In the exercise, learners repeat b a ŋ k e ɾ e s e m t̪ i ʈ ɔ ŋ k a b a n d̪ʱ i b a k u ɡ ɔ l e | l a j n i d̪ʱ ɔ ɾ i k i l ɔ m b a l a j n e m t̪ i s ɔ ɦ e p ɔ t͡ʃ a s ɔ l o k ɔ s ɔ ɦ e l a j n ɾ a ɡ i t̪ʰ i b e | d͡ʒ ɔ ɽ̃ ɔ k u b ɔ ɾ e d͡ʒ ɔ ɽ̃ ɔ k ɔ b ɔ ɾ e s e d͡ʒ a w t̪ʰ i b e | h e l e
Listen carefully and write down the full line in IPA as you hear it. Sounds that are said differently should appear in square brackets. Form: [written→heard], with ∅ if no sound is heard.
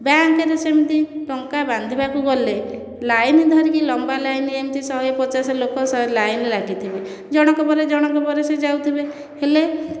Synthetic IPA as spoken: b a ŋ k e ɾ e s e m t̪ i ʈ ɔ ŋ k a b a n d̪ʱ i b a k u ɡ ɔ l e | l a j n i d̪ʱ ɔ ɾ i k i l ɔ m b a l a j n e m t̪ i s ɔ ɦ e p ɔ t͡ʃ a s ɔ l o k ɔ s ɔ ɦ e l a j n [ɾ→l] a ɡ i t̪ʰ i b e | d͡ʒ ɔ ɽ̃ ɔ k [u→ɔ] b ɔ ɾ e d͡ʒ ɔ ɽ̃ ɔ k ɔ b ɔ ɾ e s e d͡ʒ a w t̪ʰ i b e | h e l e

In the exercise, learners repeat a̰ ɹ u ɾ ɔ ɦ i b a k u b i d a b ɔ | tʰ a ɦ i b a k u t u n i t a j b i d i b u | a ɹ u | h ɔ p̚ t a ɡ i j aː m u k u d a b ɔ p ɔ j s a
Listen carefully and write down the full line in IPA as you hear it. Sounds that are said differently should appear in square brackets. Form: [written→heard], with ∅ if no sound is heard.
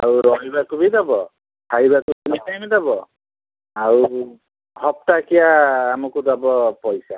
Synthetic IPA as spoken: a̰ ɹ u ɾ ɔ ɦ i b a k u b i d a b ɔ | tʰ a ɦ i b a k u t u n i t a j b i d [i→a] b [u→ɔ] | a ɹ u | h ɔ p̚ t a [ɡ→k] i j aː m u k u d a b ɔ p ɔ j s a

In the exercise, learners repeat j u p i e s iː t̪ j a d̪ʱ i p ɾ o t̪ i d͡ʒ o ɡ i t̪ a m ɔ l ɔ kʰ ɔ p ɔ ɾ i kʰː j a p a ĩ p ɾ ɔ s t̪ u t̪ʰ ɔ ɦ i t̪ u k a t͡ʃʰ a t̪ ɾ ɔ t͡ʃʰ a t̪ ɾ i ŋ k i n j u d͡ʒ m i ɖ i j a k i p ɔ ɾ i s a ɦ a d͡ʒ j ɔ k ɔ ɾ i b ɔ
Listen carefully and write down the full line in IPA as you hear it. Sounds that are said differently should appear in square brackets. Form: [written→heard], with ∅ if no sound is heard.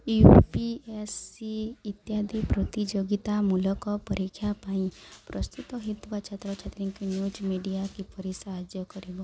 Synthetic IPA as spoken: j u p i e s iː t̪ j a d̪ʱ i p ɾ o t̪ i d͡ʒ o ɡ i t̪ a m [ɔ→u] l ɔ [kʰ→k] ɔ p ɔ ɾ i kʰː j a p a ĩ p ɾ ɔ s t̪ u [t̪ʰ→t̪] ɔ ɦ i t̪ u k a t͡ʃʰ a t̪ ɾ ɔ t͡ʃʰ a t̪ ɾ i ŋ k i n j u d͡ʒ m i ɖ i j a k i p ɔ ɾ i s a ɦ a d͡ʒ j ɔ k ɔ ɾ i b ɔ

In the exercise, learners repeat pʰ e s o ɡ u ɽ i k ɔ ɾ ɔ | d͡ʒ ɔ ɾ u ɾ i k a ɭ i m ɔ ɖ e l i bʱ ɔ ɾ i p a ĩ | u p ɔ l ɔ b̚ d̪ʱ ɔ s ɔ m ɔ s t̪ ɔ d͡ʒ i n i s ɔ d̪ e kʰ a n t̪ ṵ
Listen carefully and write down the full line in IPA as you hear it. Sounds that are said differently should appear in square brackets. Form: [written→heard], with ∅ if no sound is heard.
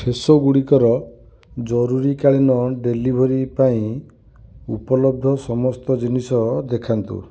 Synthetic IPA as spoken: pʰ e s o ɡ u ɽ i k ɔ ɾ ɔ | d͡ʒ ɔ ɾ u ɾ i k a ɭ i [m→n] ɔ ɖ e l i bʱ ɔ ɾ i p a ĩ | u p ɔ l ɔ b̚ d̪ʱ ɔ s ɔ m ɔ s t̪ ɔ d͡ʒ i n i s ɔ d̪ e kʰ a n t̪ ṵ

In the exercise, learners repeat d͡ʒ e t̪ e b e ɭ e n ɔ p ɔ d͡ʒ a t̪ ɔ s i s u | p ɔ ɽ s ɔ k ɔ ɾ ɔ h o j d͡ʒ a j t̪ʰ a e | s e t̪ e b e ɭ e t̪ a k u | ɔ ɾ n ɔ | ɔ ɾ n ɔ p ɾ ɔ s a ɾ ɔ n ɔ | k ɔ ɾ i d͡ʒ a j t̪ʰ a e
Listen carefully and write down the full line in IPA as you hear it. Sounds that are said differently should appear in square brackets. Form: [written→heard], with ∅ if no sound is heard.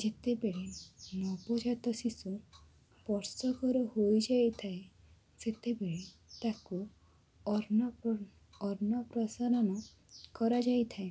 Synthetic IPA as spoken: d͡ʒ e t̪ e b e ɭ e n ɔ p ɔ d͡ʒ a t̪ ɔ s i s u | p ɔ [ɽ→ɾ] s ɔ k ɔ ɾ ɔ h o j d͡ʒ a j t̪ʰ a e | s e t̪ e b e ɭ e t̪ a k u | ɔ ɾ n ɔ | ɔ ɾ n ɔ p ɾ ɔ s a ɾ ɔ n ɔ | k ɔ ɾ [i→a] d͡ʒ a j t̪ʰ a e

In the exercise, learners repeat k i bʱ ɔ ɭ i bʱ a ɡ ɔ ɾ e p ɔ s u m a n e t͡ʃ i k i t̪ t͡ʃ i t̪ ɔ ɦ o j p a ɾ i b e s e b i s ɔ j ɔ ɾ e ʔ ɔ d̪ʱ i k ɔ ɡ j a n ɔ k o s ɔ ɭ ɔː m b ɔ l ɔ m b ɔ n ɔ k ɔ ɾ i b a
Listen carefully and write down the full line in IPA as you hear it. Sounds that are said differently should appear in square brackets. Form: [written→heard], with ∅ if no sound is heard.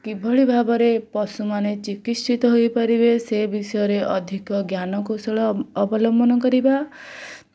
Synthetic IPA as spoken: k i bʱ ɔ ɭ i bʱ a [ɡ→b] ɔ ɾ e p ɔ s u m a n e t͡ʃ i k i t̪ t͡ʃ i t̪ ɔ ɦ o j p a ɾ i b e s e b i s ɔ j ɔ ɾ e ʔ ɔ d̪ʱ i k ɔ ɡ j a n ɔ k o s ɔ ɭ ɔː [m→∅] b ɔ l ɔ m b ɔ n ɔ k ɔ ɾ i b a

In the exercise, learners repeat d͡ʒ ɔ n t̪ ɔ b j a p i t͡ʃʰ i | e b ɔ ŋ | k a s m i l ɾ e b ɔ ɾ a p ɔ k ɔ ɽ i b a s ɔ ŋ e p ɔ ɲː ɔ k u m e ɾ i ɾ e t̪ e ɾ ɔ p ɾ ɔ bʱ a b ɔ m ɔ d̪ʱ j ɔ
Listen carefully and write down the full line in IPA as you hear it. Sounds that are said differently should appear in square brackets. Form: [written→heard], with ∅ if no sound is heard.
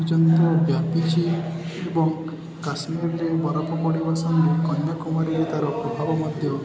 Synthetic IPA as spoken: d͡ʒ ɔ n t̪ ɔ b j a p i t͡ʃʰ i | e b ɔ ŋ | k a s m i [l→ɾ] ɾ e b ɔ ɾ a p ɔ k ɔ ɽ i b a s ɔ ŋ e [p→k] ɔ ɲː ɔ k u m [e→a] ɾ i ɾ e t̪ [e→a] ɾ ɔ p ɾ ɔ bʱ a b ɔ m ɔ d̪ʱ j ɔ

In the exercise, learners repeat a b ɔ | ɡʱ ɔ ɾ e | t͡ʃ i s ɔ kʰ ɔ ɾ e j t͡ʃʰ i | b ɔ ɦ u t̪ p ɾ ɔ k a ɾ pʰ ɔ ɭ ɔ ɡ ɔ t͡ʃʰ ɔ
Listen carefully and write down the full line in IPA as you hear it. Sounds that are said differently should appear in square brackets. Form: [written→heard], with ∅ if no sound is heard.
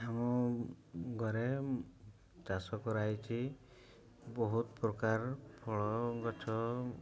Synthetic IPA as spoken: a [b→m] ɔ | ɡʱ ɔ ɾ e | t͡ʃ [i→a] s ɔ [kʰ→k] ɔ ɾ [e→a] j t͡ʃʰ i | b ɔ ɦ u t̪ p ɾ ɔ k a ɾ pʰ ɔ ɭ ɔ ɡ ɔ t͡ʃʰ ɔ

